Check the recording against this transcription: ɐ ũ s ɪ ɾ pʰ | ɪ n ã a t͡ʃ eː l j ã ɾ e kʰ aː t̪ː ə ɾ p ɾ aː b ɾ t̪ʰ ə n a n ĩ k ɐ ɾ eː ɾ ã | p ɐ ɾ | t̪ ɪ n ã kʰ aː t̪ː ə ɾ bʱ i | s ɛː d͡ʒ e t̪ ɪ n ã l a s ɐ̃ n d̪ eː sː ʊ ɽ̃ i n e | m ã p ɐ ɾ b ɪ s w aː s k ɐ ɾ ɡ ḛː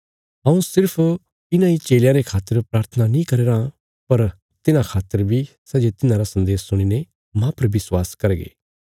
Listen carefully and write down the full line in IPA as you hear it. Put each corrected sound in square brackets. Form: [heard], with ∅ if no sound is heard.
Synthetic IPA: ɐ ũ s ɪ ɾ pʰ | ɪ n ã [i] t͡ʃ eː l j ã ɾ e kʰ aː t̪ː ə ɾ p ɾ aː [∅] ɾ t̪ʰ ə n a n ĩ k ɐ ɾ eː ɾ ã | p ɐ ɾ | t̪ ɪ n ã kʰ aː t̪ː ə ɾ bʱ i | s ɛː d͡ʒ e t̪ ɪ n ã [ɾ] a s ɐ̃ n d̪ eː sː ʊ ɽ̃ i n e | m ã p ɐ ɾ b ɪ s w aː s k ɐ ɾ ɡ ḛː

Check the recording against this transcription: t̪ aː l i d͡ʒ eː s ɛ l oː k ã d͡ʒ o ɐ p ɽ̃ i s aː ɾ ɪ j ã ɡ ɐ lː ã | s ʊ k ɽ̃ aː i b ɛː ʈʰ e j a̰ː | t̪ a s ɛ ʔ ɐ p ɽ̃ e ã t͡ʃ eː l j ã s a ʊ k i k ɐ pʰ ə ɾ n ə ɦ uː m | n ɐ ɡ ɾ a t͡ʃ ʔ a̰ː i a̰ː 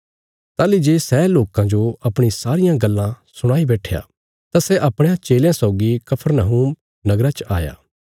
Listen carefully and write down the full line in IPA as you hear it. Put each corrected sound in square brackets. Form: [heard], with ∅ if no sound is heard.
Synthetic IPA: t̪ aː l i d͡ʒ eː s ɛ l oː k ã d͡ʒ o ɐ p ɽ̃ i s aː ɾ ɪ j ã ɡ ɐ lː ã | s ʊ [∅] ɽ̃ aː i b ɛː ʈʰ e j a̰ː | t̪ a s ɛ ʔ ɐ p ɽ̃ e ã t͡ʃ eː l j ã s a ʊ [ɡ] i k ɐ pʰ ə ɾ n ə ɦ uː m | n ɐ ɡ ɾ a t͡ʃ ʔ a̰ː [j] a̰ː

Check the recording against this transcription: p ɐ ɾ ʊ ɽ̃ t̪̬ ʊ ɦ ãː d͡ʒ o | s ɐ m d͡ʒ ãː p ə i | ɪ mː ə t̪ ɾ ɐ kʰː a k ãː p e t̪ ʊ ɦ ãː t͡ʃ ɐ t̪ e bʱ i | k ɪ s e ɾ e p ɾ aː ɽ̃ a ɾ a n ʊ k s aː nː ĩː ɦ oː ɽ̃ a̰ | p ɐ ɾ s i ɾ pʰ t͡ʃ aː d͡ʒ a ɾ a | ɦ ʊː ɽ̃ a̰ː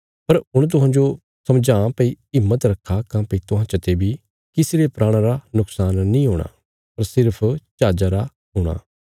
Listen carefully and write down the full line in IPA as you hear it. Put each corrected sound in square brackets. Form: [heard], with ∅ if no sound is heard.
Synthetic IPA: p ɐ ɾ ʊ ɽ̃ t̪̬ ʊ ɦ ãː d͡ʒ o | s ɐ m d͡ʒ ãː p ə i | ɪ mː ə t̪ ɾ ɐ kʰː a k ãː p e t̪ ʊ ɦ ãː t͡ʃ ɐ t̪ e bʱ i | k ɪ s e ɾ e p ɾ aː ɽ̃ a ɾ a n ʊ k s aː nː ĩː ɦ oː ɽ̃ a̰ | p ɐ ɾ s [ɪ] ɾ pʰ t͡ʃ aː d͡ʒ a ɾ a | ɦ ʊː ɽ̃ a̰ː

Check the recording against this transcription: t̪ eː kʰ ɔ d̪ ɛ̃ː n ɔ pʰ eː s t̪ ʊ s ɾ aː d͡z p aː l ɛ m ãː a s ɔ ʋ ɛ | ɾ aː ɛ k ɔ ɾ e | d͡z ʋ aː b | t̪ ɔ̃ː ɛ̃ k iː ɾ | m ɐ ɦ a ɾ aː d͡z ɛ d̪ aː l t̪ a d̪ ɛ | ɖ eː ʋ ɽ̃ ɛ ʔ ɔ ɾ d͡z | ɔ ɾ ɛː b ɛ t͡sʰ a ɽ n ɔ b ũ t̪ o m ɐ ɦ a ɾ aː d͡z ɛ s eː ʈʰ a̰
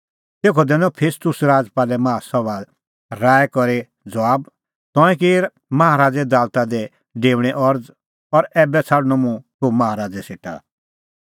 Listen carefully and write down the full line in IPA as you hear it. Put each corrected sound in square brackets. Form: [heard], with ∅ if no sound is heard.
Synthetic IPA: t̪ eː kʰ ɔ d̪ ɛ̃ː n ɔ pʰ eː s t̪ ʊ s ɾ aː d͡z p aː l ɛ m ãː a s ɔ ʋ [a] | ɾ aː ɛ k ɔ ɾ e | d͡z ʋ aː b | t̪ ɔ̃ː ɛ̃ k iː ɾ | m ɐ ɦ a ɾ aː d͡z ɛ d̪ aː l t̪ a d̪ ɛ | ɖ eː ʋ ɽ̃ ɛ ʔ ɔ ɾ d͡z | ɔ ɾ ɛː b ɛ t͡sʰ a ɽ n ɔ [m] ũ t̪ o m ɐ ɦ a ɾ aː d͡z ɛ s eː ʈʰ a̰

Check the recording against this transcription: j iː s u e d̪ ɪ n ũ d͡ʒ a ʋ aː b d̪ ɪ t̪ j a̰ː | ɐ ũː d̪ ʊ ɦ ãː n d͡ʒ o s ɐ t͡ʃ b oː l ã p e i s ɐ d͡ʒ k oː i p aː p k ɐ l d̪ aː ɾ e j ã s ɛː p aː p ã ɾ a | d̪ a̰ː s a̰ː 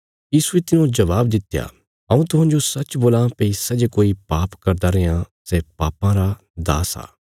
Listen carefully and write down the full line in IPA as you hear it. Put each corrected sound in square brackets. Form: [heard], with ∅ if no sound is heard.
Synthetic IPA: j iː s u e [t̪] ɪ n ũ d͡ʒ [ɐ] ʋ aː b d̪ ɪ t̪ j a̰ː | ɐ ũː [t̪] ʊ ɦ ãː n d͡ʒ o s ɐ t͡ʃ b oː l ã p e i s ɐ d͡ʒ k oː i p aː p k ɐ [ɾ] d̪ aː ɾ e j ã s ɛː p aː p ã ɾ a | d̪ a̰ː s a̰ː

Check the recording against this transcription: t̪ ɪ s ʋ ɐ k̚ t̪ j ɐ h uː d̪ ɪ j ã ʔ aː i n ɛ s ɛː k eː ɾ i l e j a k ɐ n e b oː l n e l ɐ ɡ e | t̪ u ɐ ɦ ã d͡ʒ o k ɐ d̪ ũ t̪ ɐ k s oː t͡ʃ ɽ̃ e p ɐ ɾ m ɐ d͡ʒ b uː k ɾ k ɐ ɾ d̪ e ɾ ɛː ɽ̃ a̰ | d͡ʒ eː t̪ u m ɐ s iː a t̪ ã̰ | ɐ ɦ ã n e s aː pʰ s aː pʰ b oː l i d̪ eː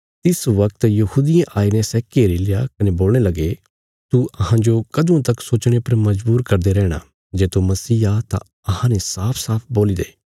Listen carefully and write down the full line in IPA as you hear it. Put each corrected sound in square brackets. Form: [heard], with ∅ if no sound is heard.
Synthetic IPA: t̪ ɪ s ʋ ɐ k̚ t̪ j ɐ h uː d̪ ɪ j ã ʔ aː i n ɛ s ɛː k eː ɾ i l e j a k ɐ n e b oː l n e l ɐ ɡ e | t̪ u ɐ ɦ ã d͡ʒ o k ɐ d̪ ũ t̪ ɐ k s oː t͡ʃ ɽ̃ e p ɐ ɾ m ɐ d͡ʒ b uː [∅] ɾ k ɐ ɾ d̪ e ɾ ɛː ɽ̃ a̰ | d͡ʒ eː t̪ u m ɐ s iː a t̪ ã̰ | ɐ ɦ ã n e s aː pʰ s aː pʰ b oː l i d̪ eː

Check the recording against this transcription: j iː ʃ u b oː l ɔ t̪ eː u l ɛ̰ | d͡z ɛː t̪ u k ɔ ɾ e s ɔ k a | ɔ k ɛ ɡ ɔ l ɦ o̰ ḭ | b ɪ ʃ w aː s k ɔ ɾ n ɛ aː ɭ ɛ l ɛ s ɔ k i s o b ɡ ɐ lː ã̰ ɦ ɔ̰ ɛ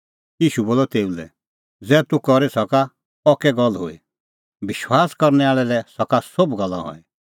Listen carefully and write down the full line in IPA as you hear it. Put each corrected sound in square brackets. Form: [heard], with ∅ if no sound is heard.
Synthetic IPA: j iː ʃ u b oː l ɔ t̪ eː u l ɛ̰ | d͡z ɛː t̪ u k ɔ ɾ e s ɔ k a | ɔ k ɛ ɡ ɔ l ɦ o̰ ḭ | b ɪ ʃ w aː s k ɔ ɾ n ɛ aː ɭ ɛ l ɛ s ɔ k [a] s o b ɡ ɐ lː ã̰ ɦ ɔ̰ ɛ

